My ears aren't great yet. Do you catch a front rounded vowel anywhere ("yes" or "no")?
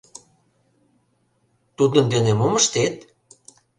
no